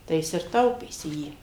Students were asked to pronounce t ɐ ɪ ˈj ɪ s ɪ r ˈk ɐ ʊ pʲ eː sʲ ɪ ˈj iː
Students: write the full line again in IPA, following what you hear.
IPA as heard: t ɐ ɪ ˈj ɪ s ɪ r ˈt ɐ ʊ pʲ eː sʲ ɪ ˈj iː